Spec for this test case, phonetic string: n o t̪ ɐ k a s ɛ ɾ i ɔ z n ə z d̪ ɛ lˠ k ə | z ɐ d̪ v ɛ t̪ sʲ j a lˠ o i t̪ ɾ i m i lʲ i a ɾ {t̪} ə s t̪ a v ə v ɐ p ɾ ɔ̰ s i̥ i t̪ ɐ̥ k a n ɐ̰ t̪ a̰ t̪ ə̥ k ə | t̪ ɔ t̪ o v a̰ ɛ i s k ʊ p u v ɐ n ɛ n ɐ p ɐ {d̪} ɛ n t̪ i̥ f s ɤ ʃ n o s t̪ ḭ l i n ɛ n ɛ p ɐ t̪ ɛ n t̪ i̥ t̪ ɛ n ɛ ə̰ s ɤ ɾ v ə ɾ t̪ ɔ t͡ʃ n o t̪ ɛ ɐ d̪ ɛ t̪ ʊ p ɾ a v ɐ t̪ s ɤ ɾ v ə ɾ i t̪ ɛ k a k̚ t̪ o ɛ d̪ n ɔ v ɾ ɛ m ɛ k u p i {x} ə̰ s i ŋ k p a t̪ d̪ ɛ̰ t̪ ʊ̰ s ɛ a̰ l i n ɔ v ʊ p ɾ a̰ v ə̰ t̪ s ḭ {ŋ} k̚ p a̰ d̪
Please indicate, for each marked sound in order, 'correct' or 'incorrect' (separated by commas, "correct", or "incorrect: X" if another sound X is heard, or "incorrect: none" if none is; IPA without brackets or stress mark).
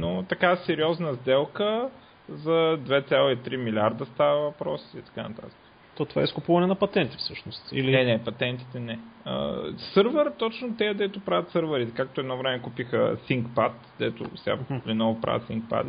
incorrect: d̪, incorrect: t̪, correct, correct